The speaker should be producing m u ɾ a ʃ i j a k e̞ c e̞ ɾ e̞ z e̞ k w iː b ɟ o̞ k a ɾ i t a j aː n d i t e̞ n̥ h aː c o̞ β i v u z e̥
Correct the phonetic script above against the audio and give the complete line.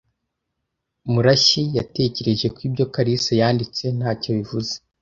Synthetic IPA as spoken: m u ɾ a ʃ i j a t e̞ c e̞ ɾ e̞ ʒ e̞ k w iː b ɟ o̞ k a ɾ i s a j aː n d i t͡s e̞ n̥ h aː c o̞ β i v u z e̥